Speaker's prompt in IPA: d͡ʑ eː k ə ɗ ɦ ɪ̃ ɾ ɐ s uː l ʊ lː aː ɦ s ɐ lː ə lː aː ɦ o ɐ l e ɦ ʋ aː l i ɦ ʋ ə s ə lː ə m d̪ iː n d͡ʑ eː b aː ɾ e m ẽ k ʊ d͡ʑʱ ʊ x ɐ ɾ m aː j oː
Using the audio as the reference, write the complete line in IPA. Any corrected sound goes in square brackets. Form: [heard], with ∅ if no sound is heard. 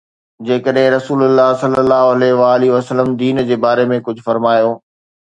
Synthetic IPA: d͡ʑ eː k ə ɗ ɦ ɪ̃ ɾ ɐ s uː l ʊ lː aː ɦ s ɐ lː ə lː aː ɦ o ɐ l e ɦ ʋ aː l i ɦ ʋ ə s ə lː ə m d̪ iː n d͡ʑ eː b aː ɾ e m ẽ k ʊ d͡ʑʱ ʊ [f] ɐ ɾ m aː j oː